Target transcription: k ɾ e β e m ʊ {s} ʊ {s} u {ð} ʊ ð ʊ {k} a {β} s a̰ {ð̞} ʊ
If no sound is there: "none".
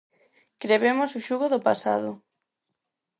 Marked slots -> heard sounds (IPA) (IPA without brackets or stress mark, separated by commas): s, ʃ, ɣ, p, none, ð̞